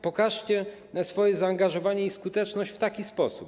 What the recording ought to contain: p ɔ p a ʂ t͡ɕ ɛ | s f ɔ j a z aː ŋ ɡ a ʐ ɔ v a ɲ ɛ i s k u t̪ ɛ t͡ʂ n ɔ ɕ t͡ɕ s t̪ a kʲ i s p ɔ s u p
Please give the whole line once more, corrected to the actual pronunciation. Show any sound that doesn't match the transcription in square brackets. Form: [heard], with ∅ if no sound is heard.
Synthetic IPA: p ɔ [k] a ʂ t͡ɕ ɛ | s f ɔ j [ɛ] z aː ŋ ɡ a ʐ ɔ v a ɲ ɛ i s k u t̪ ɛ t͡ʂ n ɔ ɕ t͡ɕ [f] t̪ a kʲ i s p ɔ s u p